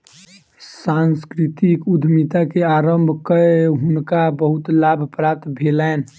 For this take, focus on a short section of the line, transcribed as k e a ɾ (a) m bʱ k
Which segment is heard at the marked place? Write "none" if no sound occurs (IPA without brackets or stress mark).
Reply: ə